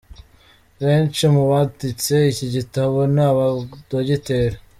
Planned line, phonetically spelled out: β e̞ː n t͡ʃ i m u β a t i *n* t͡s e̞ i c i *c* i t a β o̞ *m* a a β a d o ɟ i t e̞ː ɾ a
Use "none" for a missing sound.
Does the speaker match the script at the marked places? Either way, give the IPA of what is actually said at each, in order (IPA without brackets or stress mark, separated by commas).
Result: none, ɟ, n